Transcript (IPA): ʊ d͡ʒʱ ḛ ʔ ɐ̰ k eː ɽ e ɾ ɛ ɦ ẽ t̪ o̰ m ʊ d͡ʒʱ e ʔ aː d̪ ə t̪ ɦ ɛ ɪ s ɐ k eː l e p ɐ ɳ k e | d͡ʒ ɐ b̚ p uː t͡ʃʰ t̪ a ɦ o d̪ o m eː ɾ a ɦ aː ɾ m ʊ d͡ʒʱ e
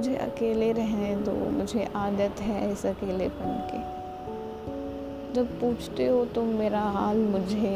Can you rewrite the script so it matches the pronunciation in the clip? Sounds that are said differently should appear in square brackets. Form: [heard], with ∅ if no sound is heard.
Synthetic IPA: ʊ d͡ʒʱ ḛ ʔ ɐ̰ k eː [l] e ɾ ɛ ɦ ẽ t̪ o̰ m ʊ d͡ʒʱ e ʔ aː d̪ ə t̪ ɦ ɛ ɪ s ɐ k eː l e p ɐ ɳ k e | d͡ʒ ɐ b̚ p uː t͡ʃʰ t̪ [e] ɦ o [t̪] o m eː ɾ a ɦ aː [l] m ʊ d͡ʒʱ e